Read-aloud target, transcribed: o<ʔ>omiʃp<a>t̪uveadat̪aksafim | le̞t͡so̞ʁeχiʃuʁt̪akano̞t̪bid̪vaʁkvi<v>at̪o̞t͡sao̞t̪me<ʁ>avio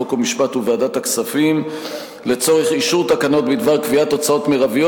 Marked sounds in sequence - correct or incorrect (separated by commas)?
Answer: incorrect, correct, incorrect, correct